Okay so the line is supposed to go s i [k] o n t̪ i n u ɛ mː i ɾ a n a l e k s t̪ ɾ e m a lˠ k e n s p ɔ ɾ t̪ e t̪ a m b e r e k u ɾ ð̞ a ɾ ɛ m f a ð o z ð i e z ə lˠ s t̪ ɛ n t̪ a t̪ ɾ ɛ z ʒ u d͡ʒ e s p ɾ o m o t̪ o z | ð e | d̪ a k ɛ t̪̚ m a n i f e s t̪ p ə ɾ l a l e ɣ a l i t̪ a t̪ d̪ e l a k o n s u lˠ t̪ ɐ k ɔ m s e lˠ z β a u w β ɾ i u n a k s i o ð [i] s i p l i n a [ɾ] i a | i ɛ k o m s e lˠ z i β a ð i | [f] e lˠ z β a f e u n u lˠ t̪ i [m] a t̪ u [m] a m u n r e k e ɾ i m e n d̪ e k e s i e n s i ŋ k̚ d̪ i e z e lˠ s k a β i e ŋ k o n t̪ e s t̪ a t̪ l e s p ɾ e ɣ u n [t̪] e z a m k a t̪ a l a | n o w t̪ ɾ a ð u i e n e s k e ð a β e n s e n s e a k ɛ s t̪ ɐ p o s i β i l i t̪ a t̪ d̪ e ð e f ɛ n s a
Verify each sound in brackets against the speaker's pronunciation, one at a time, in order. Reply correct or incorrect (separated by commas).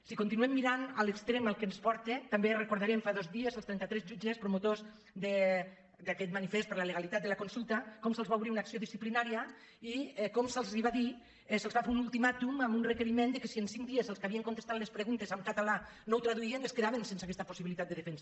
correct, correct, correct, incorrect, correct, correct, correct